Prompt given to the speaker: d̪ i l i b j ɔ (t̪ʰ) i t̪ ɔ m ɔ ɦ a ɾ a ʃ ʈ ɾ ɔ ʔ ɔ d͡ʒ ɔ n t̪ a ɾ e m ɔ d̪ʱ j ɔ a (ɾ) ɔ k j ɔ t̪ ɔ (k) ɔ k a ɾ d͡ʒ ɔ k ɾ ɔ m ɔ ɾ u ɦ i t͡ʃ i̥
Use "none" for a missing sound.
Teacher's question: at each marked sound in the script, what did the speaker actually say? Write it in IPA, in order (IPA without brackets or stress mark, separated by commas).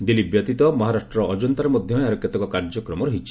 t̪, ɾ, k